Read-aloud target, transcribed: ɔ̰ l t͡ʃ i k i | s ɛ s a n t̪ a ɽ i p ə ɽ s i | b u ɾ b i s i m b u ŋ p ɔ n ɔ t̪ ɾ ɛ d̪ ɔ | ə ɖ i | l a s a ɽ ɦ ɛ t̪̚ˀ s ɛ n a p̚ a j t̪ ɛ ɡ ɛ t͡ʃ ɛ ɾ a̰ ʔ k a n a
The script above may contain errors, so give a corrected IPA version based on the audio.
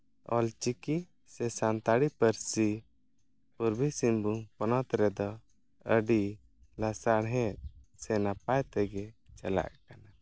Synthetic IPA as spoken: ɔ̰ l t͡ʃ i k i | s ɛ s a n t̪ a ɽ i p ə ɾ s i | p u ɾ b i s i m b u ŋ p ɔ n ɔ t̪ ɾ ɛ d̪ ɔ | ə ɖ i | l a s a ɽ ɦ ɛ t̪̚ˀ s ɛ n a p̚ a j t̪ ɛ ɡ ɛ t͡ʃ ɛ l a̰ ʔ k a n a